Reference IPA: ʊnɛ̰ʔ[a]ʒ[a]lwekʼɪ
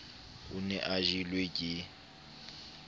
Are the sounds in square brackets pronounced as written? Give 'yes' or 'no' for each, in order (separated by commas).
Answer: yes, no